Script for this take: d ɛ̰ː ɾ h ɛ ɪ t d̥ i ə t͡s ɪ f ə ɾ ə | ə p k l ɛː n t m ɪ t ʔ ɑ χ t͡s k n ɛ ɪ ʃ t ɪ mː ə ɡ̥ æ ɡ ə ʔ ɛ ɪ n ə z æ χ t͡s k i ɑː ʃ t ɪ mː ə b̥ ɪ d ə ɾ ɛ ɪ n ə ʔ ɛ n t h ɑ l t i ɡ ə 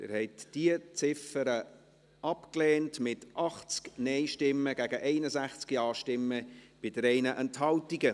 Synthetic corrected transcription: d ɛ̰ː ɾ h ɛ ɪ t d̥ i ə t͡s ɪ f ə ɾ ə | ɑ p k l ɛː n t m ɪ t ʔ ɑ χ t͡s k n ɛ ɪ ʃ t ɪ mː ə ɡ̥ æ ɡ ə ʔ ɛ ɪ n ə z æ χ t͡s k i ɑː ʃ t ɪ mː ə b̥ ɪ d ə ɾ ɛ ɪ n ə ʔ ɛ n t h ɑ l t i ɡ ə

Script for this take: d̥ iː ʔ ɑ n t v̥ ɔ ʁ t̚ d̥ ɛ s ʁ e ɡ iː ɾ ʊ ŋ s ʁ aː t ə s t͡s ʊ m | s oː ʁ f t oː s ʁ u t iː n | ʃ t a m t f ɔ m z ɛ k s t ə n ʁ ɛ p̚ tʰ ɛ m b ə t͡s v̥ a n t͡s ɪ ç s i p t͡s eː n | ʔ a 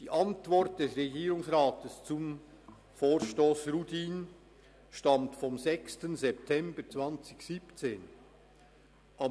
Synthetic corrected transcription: d̥ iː ʔ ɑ n t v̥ ɔ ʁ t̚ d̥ ɛ s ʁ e ɡ iː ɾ ʊ ŋ s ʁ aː t ə s t͡s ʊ m | f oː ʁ ʃ t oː s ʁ u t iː n | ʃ t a m t f ɔ m z ɛ k s t ə n z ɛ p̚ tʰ ɛ m b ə t͡s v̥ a n t͡s ɪ ç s i p t͡s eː n | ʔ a

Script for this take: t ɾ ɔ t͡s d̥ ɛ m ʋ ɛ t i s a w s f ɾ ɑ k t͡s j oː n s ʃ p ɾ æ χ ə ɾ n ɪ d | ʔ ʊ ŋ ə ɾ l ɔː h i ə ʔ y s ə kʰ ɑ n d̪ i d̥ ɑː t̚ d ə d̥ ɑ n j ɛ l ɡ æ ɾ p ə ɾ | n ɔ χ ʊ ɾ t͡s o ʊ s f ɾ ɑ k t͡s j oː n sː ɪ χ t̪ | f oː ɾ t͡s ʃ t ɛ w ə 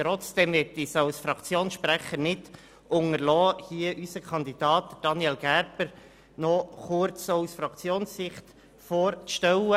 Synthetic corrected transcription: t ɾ ɔ t͡s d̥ ɛ m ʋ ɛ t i s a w s f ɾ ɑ k t͡s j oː n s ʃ p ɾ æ χ ə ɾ n ɪ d | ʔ ʊ ŋ ə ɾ l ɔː h i ə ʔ y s ə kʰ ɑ n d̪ i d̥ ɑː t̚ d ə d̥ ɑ n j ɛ l ɡ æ ɾ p ə ɾ | n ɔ χ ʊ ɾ t͡s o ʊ s f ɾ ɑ k t͡s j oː n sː ɪ χ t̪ | f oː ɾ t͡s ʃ t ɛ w ə

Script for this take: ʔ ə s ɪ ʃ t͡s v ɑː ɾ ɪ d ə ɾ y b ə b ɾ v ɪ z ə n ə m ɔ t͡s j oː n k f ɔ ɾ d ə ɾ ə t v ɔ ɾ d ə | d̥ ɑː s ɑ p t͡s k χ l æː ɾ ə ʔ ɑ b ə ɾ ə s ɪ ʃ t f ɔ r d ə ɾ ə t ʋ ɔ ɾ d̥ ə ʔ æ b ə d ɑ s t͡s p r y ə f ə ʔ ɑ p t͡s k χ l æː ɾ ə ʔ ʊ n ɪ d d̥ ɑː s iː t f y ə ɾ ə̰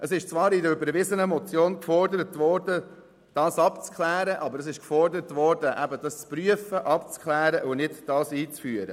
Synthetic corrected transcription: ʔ ə s ɪ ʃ t͡s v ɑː ɾ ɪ d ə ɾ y b ə ɾ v ɪ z ə n ə m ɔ t͡s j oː n k f ɔ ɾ d ə ɾ ə t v ɔ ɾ d ə | d̥ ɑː s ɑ p t͡s k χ l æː ɾ ə ʔ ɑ b ə ɾ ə s ɪ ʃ k f ɔ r d ə ɾ ə t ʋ ɔ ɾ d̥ ə ʔ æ b ə d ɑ s t͡s p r y ə f ə ʔ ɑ p t͡s k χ l æː ɾ ə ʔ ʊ n ɪ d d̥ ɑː s iː t͡s f y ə ɾ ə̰

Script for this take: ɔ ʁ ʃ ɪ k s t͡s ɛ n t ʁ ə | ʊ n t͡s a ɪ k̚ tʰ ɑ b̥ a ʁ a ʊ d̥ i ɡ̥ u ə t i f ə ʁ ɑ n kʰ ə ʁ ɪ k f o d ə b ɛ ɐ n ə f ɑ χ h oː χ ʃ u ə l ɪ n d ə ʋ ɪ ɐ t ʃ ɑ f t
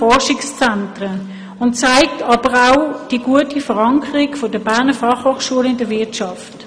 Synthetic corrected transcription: ɔ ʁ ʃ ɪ k s t͡s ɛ n t ʁ ə | ʊ n t͡s a ɪ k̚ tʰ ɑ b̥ ə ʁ a ʊ d̥ i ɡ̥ u ə t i f ə ʁ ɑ ŋ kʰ ə ʁ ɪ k f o d ə b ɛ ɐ n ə f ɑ χ h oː χ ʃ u ə l ɪ n d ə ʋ ɪ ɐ t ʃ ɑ f t

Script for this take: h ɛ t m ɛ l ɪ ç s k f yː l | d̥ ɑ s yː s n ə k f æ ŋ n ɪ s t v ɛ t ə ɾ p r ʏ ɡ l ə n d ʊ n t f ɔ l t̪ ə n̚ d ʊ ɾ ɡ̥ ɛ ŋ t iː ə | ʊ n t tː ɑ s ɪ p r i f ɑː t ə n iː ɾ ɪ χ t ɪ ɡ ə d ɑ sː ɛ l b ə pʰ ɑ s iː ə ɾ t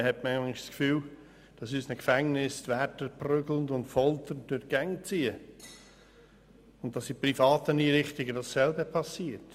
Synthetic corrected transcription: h ɛ t m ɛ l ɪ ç s k f yː l | d̥ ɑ s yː s n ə k f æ ŋ n ɪ s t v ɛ t ə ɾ p r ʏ ɡ l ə n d ʊ n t f ɔ l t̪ ə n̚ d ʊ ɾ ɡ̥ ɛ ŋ t͡s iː ə | ʊ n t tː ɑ s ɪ p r i f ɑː t ə n iː ɾ ɪ χ t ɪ ɡ ə d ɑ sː ɛ l b ə pʰ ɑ s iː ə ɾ t

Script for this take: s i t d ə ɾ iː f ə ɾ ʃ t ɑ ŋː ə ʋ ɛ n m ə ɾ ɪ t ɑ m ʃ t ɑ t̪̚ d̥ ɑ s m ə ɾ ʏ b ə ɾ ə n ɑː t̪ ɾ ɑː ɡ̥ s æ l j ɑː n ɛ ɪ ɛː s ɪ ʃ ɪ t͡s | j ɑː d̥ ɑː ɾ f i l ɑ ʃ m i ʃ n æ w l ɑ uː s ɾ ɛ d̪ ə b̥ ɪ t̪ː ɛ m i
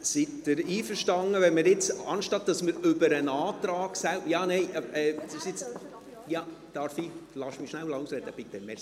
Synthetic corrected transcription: s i t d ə ɾ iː f ə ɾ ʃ t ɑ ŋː ə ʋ ɛ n m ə ɾ ɪ t͡s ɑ n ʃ t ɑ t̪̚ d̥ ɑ s m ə ɾ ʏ b ə ɾ ə n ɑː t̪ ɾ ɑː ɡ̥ s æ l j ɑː n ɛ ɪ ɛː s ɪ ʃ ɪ t͡s | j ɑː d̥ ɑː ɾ f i l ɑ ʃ m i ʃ n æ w l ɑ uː s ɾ ɛ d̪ ə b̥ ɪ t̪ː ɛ m ɛ

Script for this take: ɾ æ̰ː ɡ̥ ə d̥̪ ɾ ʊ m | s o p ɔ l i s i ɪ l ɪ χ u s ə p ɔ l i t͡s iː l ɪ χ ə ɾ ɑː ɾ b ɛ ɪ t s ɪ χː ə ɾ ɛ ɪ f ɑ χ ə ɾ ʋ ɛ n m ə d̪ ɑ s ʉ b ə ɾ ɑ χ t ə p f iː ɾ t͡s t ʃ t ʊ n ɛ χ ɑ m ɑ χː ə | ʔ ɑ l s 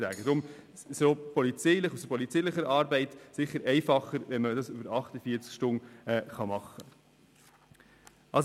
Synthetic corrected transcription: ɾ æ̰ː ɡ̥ ə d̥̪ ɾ ʊ m | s o p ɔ l i t͡s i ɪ l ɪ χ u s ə p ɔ l i t͡s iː l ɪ χ ə ɾ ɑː ɾ b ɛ ɪ t s ɪ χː ə ɾ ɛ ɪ f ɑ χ ə ɾ ʋ ɛ n m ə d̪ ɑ s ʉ b ə ɾ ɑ χ t ə f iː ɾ t͡s k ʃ t ʊ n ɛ χ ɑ m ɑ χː ə | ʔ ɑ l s

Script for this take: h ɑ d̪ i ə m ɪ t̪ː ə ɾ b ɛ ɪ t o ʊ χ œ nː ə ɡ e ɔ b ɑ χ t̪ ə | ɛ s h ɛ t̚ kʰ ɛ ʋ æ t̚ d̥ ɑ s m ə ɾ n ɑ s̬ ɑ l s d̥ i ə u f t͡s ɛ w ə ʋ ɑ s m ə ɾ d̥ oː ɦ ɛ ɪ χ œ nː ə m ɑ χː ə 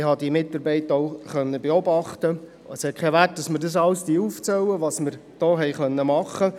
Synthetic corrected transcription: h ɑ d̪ i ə m ɪ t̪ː ɑ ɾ b ɛ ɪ t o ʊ χ œ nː ə b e ɔ b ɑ χ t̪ ə | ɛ s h ɛ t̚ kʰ ɛ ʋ æ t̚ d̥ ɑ s m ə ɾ d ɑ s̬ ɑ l s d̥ i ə u f t͡s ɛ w ə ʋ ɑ s m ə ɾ d̥ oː ɦ ɛ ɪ χ œ nː ə m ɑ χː ə

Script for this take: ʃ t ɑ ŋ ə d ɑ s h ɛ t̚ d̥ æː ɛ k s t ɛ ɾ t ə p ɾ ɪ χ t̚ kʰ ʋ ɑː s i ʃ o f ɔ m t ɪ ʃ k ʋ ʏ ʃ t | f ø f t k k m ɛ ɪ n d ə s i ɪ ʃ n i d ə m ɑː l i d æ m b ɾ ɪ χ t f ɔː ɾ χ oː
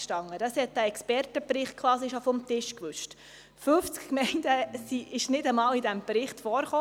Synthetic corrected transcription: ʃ t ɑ ŋ ə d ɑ s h ɛ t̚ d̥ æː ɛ k s p ɛ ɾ t ə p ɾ ɪ χ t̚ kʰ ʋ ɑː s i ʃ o f ɔ m t ɪ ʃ k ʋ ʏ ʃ t | f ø f t͡s k k m ɛ ɪ n d ə s i ɪ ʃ n ɪ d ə m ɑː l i d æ m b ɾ ɪ χ t f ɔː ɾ χ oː

